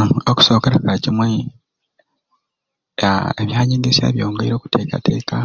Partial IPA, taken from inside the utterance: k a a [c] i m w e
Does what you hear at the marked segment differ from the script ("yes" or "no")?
no